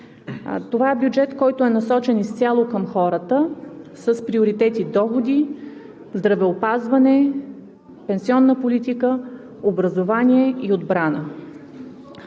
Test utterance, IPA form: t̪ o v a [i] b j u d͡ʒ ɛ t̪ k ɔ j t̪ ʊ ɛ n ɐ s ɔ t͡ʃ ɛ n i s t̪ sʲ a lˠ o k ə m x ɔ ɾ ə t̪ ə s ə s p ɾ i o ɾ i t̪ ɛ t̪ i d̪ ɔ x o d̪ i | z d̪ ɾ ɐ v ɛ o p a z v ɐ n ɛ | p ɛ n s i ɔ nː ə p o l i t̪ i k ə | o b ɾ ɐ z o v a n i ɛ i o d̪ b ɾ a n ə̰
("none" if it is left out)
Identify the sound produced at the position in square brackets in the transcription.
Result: ɛ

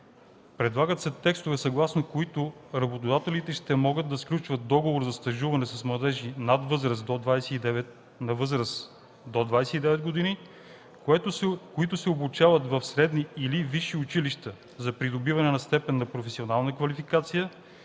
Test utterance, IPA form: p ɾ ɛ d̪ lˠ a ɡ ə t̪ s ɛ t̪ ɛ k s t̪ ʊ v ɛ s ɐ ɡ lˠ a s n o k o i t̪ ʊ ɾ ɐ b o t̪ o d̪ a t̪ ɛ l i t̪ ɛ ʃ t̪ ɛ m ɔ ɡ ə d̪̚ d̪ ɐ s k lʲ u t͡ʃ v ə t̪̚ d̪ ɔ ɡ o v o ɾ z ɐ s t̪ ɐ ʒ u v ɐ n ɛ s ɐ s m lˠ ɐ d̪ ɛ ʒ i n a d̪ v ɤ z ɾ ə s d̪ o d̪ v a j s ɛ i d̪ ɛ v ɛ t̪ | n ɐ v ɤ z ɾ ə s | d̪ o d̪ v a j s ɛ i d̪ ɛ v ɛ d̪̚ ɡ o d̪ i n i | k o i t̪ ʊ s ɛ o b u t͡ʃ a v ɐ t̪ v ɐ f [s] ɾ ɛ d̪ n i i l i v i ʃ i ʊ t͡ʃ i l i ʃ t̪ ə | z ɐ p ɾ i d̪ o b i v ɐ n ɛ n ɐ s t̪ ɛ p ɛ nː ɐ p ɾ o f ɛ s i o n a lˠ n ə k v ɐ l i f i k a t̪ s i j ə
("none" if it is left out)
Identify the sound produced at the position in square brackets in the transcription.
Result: s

